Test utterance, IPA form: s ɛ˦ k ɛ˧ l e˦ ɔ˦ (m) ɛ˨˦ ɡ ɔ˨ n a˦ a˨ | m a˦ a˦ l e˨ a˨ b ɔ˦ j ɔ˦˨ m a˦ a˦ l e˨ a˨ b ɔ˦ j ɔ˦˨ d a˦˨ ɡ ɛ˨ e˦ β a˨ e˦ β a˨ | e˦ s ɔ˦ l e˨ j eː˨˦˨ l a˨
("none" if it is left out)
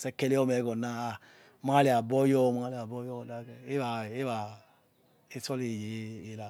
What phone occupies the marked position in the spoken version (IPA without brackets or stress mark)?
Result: m